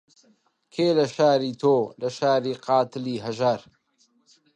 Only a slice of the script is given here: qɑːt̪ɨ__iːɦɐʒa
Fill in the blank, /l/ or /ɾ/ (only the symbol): l